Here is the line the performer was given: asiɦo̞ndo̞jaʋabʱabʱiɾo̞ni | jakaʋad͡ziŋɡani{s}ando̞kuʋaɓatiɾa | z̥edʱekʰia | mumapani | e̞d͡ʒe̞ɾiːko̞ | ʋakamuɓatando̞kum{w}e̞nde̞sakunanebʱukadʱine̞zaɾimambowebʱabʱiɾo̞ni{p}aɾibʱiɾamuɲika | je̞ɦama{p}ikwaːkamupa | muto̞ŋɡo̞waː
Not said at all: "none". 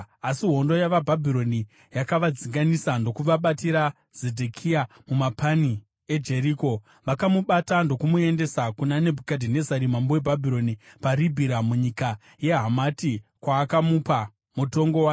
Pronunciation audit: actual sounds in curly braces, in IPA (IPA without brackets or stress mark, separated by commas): s, u, p, t